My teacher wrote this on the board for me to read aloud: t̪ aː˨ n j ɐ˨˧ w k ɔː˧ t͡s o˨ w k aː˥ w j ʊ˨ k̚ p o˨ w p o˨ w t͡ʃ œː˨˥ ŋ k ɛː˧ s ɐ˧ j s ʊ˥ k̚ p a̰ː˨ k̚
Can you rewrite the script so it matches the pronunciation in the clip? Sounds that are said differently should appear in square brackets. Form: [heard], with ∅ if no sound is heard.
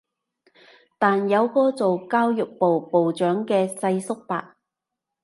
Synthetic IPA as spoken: t̪ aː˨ n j ɐ˨˧ w k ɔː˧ t͡s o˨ w k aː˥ w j ʊ˨ k̚ p o˨ w p o˨ w t͡ʃ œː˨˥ ŋ k ɛː˧ s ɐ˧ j s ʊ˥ k̚ p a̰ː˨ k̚